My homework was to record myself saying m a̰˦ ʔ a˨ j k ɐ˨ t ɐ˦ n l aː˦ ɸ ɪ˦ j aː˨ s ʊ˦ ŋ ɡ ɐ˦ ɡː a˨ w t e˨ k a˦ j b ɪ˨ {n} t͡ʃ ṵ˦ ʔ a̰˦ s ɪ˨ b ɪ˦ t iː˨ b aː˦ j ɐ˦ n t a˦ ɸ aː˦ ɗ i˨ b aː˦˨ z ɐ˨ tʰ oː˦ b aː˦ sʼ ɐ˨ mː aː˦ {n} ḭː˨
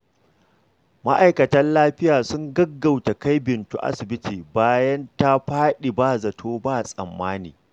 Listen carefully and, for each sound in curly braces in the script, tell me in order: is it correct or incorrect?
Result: correct, correct

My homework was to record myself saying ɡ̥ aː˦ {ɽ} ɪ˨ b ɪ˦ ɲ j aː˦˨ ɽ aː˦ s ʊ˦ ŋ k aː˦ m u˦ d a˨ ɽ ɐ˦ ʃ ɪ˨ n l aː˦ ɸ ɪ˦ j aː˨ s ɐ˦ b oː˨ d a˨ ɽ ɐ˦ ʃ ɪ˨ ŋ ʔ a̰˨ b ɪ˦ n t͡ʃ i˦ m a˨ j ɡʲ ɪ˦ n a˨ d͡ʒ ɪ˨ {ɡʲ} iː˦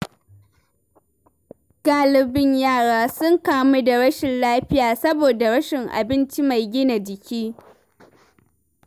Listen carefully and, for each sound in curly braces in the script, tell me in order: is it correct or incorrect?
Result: incorrect: l, incorrect: kʲ

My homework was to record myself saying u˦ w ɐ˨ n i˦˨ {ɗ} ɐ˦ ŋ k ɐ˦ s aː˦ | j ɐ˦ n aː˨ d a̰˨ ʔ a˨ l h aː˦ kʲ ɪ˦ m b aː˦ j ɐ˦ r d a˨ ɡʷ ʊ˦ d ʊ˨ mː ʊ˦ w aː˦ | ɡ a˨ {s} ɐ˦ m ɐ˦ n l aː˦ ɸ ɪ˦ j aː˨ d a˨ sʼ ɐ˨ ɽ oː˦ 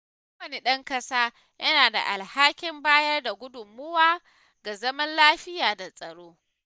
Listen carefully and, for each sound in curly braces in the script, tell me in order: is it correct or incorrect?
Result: correct, incorrect: z

